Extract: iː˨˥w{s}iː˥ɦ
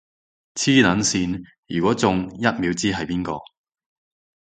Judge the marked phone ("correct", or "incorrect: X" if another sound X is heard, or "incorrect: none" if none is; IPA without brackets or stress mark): incorrect: t͡s